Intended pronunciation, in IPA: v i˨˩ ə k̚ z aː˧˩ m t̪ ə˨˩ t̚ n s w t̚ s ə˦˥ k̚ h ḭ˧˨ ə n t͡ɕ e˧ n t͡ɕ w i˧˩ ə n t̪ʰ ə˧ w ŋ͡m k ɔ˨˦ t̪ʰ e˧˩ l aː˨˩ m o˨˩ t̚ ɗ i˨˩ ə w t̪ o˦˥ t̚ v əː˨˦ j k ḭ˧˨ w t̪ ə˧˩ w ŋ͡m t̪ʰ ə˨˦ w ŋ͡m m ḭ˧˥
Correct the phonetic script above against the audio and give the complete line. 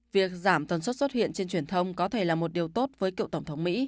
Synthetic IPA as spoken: v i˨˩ ə k̚ z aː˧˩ m t̪ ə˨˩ n s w t̚ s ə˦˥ t̚ h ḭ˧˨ ə n t͡ɕ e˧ n t͡ɕ w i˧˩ ə n t̪ʰ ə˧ w ŋ͡m k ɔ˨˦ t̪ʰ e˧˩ l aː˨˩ m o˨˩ t̚ ɗ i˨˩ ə w t̪ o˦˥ t̚ v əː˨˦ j k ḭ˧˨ w t̪ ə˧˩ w ŋ͡m t̪ʰ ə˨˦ w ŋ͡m m ḭ˧˥

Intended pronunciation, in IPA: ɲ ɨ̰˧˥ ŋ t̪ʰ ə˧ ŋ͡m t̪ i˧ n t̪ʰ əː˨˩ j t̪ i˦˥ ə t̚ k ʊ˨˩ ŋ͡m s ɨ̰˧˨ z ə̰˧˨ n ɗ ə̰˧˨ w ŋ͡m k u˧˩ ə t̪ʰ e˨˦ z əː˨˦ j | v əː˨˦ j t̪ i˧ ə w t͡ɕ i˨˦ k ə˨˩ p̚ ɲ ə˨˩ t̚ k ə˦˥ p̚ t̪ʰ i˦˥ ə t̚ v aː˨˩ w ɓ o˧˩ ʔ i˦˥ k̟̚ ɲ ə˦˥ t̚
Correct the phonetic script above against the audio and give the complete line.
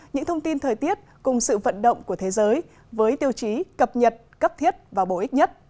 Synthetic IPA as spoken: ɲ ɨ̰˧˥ ŋ t̪ʰ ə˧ ŋ͡m t̪ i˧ n t̪ʰ əː˨˩ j t̪ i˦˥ ə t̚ k ʊ˨˩ ŋ͡m s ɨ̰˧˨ v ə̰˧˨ n ɗ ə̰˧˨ w ŋ͡m k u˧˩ ə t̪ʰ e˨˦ z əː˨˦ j | v əː˨˦ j t̪ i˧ ə w t͡ɕ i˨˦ k ə˨˩ p̚ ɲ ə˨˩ t̚ k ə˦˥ p̚ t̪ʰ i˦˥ ə t̚ v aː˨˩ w ɓ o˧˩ ʔ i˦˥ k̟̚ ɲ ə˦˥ t̚

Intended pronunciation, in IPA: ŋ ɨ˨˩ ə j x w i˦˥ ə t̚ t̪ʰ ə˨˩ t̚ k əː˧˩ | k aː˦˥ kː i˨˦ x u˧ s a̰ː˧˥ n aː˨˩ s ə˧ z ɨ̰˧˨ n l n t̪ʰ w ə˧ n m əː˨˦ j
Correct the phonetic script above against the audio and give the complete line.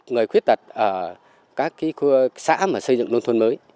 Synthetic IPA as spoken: ŋ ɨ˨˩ ə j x w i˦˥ ə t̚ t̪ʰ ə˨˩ t̚ ʔ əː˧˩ | k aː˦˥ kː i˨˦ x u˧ s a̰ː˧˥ m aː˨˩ s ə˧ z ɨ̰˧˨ ŋ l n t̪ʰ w ə˧ n m əː˨˦ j

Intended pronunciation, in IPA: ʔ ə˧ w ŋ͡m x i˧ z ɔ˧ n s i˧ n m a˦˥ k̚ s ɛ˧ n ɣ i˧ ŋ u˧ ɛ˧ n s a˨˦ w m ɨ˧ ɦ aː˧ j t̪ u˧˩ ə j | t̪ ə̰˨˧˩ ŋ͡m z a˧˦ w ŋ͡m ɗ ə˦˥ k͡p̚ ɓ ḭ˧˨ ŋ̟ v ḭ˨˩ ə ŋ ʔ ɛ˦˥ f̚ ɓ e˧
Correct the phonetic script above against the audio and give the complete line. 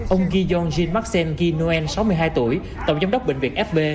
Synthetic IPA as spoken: ʔ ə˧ w ŋ͡m ɣ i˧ z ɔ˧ n z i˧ n m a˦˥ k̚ s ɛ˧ n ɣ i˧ n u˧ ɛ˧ n s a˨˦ w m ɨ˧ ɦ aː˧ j t̪ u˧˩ ə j | t̪ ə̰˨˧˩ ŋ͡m z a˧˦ w ŋ͡m ɗ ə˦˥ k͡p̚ ɓ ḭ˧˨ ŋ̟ v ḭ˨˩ ə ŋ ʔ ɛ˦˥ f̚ ɓ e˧

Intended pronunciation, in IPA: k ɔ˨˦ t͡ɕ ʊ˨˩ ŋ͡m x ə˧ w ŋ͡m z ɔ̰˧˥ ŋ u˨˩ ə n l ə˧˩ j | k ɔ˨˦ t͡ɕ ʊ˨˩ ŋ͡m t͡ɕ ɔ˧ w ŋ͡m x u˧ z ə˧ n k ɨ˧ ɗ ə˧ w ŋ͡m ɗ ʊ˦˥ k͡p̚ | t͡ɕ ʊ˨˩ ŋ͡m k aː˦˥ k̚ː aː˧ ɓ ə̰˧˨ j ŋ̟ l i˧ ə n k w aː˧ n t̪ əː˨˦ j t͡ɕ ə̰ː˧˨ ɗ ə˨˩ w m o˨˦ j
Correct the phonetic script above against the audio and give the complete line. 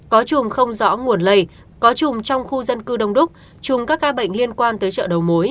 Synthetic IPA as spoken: k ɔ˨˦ t͡ɕ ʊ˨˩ ŋ͡m x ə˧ w ŋ͡m z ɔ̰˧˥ ŋ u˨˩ ə n l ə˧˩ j | k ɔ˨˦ t͡ɕ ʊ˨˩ ŋ͡m t͡ɕ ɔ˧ w ŋ͡m x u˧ z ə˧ n k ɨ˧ ɗ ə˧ w ŋ͡m ɗ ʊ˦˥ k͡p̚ | t͡ɕ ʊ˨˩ ŋ͡m k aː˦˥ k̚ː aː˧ ɓ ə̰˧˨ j ŋ̟ l i˧ ə n k w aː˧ n t̪ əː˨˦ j t͡ɕ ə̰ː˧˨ ɗ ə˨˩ w m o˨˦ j

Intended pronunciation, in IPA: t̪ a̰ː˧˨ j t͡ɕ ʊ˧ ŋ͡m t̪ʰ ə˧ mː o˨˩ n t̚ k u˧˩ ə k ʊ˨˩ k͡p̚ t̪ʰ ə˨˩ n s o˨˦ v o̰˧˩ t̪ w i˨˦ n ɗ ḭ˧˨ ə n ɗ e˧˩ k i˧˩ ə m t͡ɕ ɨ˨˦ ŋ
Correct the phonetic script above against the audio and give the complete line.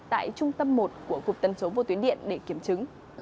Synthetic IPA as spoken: t̪ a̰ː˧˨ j t͡ɕ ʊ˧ ŋ͡m t̪ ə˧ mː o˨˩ t̚ k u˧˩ ə k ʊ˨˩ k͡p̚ t̪ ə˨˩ n s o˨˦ v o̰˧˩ t̪ w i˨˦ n ɗ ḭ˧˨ ə n ɗ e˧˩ k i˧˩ ə m t͡ɕ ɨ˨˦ ŋ

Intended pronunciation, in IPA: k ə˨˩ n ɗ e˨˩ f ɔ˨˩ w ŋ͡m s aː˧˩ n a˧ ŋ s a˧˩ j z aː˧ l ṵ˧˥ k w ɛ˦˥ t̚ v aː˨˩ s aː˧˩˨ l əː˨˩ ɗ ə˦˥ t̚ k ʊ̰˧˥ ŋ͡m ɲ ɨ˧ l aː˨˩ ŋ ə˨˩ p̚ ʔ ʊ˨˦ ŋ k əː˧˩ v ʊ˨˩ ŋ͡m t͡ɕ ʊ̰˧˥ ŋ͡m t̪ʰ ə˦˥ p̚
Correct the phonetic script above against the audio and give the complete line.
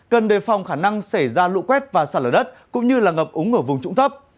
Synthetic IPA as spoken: k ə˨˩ n ɗ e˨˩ f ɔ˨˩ w ŋ͡m x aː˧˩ n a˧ ŋ s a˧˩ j z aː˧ l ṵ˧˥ k w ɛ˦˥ t̚ v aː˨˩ s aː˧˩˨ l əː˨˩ ɗ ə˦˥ t̚ k ʊ̰˧˥ ŋ͡m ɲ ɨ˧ l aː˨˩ ŋ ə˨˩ p̚ ʔ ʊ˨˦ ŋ ʔ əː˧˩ v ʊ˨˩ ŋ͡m t͡ɕ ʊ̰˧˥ ŋ͡m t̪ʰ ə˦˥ p̚

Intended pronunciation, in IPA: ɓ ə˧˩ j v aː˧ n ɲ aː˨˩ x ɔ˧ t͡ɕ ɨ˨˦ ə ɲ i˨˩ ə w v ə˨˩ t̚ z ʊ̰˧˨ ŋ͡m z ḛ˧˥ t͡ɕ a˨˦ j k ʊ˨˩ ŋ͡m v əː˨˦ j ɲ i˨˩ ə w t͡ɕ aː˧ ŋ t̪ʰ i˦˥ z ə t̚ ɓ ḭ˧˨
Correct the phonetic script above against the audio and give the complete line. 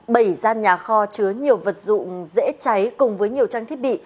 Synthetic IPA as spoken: ɓ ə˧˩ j z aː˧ n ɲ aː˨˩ x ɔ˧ t͡ɕ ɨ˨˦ ə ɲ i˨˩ ə w v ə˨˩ t̚ z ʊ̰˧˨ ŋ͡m z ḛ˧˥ t͡ɕ a˨˦ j k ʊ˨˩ ŋ͡m v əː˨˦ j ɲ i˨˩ ə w t͡ɕ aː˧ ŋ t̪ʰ i˦˥ ə t̚ ɓ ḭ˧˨

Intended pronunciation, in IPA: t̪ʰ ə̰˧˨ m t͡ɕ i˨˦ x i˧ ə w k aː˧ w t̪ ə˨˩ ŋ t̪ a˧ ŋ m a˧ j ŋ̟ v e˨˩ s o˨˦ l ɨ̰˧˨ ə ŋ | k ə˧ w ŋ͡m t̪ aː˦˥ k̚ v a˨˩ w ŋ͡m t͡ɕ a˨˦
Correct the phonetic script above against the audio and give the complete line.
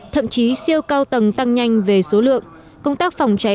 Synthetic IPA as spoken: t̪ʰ ə̰˧˨ m t͡ɕ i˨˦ s i˧ ə w k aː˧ w t̪ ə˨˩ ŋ t̪ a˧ ŋ ɲ a˧ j ŋ̟ v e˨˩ s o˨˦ l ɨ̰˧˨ ə ŋ | k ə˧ w ŋ͡m t̪ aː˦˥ k̚ f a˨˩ w ŋ͡m t͡ɕ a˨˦

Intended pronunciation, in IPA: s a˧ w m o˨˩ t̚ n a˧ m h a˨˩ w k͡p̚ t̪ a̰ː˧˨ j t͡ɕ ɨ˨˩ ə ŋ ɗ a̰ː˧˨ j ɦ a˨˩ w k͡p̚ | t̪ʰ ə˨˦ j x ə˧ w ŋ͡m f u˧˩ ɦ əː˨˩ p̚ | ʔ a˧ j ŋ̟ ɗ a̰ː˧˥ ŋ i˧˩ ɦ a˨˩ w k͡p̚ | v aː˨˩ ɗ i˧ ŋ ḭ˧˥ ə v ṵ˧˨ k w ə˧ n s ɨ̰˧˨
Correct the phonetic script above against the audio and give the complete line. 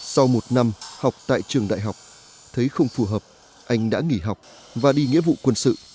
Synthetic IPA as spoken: s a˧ w m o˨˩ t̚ n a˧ m h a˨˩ w k͡p̚ t̪ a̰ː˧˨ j t͡ɕ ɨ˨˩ ə ŋ ɗ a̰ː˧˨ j ɦ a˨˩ w k͡p̚ | t̪ʰ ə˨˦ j x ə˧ w ŋ͡m f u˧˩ ɦ əː˨˩ p̚ | ʔ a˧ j ŋ̟ ɗ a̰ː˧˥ ŋ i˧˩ ɦ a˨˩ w k͡p̚ | v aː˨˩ ɗ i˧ ŋ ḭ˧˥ ə v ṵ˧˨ k w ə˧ n s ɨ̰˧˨

